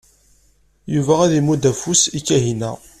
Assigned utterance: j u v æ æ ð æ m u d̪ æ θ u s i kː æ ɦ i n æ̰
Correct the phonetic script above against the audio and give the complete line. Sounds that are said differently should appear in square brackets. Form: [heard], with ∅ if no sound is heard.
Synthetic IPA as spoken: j u v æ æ ð [i] m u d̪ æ [f] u s i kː æ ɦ i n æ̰